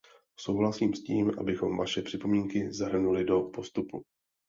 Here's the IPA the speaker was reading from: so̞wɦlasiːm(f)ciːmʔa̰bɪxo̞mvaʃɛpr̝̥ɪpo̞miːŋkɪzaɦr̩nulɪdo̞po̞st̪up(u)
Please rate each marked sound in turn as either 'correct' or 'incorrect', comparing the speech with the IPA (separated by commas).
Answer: incorrect, correct